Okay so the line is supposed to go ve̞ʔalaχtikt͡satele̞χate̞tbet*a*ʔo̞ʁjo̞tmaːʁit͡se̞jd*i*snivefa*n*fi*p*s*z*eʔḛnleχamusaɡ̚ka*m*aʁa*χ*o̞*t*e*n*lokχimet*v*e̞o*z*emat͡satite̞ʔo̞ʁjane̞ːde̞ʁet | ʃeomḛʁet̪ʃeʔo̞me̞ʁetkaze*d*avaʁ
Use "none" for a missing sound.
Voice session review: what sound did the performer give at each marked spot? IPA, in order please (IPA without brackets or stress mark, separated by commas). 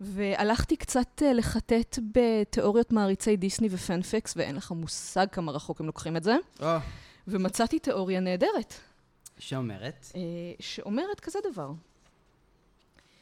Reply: e, i, n, k, v, m, χ, k, m, z, v, d